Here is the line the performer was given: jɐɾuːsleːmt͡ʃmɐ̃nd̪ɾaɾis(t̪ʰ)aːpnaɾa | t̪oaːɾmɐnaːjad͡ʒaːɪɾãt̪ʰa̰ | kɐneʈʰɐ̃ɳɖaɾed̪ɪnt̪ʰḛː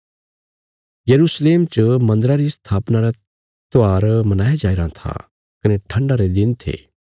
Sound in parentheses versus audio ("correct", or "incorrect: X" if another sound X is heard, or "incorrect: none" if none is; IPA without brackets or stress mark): correct